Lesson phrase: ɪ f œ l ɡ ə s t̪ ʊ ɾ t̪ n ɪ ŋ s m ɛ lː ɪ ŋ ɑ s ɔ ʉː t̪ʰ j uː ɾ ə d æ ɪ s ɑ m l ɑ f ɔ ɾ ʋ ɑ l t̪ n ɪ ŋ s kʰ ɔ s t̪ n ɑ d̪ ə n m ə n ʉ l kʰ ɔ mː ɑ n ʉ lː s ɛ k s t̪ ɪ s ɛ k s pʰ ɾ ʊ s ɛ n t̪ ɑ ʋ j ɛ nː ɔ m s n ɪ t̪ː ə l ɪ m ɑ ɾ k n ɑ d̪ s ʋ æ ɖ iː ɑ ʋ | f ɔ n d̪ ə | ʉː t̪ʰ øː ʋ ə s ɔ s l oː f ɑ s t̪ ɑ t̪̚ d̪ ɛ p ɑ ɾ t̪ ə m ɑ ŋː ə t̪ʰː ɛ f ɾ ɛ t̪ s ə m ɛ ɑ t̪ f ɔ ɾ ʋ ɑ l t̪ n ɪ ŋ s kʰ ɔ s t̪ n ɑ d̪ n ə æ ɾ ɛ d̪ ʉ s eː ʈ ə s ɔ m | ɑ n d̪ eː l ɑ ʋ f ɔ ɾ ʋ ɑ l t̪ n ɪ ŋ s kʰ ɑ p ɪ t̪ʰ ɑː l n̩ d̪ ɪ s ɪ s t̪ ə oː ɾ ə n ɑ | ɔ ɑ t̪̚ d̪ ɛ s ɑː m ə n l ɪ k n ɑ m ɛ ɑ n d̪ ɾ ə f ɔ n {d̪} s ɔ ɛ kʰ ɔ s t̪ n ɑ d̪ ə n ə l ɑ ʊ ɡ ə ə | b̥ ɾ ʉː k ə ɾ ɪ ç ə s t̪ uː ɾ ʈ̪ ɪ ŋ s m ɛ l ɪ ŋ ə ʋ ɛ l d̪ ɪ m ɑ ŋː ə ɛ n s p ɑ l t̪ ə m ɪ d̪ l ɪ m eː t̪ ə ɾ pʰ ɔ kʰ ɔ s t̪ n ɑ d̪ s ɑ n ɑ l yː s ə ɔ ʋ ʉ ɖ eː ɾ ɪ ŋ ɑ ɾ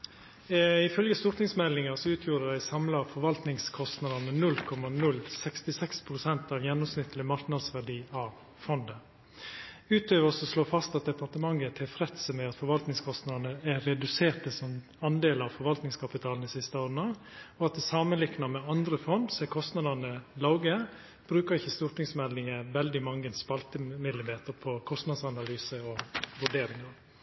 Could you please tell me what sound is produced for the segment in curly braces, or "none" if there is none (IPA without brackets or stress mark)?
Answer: d̪